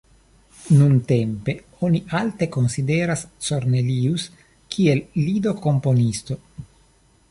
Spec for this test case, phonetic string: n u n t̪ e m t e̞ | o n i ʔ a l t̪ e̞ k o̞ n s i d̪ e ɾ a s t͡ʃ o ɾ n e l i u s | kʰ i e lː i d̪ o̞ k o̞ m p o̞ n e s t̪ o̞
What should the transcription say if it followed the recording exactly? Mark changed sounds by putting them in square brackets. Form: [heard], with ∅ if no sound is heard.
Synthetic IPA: n u n t̪ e m [p] e̞ | o n i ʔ a l t̪ e̞ k o̞ n s i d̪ e ɾ a s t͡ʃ o ɾ n e l i u s | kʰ i e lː i d̪ o̞ k o̞ m p o̞ n [i] s t̪ o̞

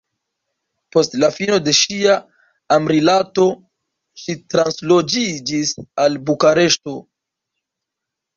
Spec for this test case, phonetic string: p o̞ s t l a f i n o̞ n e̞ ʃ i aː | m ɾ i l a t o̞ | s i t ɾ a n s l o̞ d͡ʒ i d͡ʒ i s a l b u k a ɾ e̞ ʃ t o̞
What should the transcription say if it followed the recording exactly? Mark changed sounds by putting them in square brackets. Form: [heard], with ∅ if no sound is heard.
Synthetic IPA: p o̞ s t l a f i n o̞ [d] e̞ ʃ i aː | m ɾ i l a t o̞ | [ʃ] i t ɾ a n s l o̞ d͡ʒ i d͡ʒ i s a l b u k a ɾ e̞ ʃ t o̞

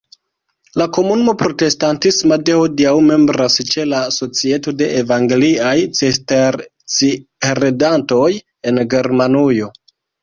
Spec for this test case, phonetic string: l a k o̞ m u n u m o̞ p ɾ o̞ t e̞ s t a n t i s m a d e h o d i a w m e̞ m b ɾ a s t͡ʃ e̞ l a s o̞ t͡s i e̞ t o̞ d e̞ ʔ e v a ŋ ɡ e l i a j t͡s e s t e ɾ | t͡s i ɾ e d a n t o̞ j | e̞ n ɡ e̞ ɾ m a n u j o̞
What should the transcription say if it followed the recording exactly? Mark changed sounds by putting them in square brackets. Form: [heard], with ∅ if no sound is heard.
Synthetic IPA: l a k o̞ m u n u m o̞ p ɾ o̞ t e̞ s t a n t i s m a d e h o d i a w m e̞ m b ɾ a s t͡ʃ e̞ l a s o̞ t͡s i e̞ t o̞ d e̞ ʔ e v a ŋ ɡ e l i a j t͡s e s t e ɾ | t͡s i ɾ e d a n t o̞ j | e̞ n ɡ e̞ ɾ m a n u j o̞

